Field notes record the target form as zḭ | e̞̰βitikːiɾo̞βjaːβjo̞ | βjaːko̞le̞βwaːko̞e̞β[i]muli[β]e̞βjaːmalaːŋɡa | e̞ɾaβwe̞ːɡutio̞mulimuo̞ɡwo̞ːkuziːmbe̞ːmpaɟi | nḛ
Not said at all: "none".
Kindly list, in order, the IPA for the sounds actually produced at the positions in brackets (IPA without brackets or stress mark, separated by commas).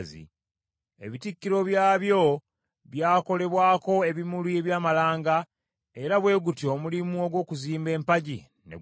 i, none